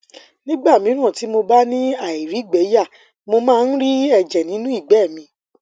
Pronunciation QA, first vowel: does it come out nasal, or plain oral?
nasal